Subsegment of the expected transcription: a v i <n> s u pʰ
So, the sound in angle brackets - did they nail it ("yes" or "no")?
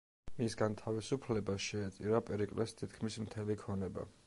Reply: no